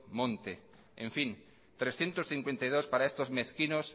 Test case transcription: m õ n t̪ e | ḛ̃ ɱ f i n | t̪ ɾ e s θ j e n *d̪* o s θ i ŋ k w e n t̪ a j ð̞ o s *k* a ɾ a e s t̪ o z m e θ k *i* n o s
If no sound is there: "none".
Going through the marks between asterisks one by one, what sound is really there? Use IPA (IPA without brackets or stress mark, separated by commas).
t̪, p, i